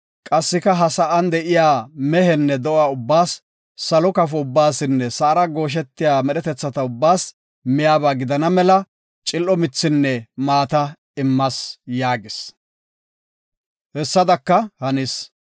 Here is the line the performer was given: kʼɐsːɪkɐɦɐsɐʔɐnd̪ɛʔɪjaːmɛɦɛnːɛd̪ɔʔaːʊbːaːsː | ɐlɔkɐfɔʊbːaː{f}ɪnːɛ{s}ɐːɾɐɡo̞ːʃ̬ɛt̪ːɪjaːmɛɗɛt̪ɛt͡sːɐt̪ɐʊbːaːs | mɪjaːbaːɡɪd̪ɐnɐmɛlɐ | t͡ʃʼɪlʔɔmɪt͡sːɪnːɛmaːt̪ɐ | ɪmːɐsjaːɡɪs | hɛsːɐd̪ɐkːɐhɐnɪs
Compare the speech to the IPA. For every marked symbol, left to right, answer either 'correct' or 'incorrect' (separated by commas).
incorrect, correct